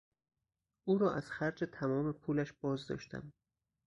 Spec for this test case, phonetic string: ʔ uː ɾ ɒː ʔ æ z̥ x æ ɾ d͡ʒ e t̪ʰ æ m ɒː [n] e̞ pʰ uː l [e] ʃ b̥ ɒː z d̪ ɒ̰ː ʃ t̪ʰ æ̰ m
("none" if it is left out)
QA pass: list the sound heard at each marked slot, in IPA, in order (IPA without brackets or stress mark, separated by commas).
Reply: m, æ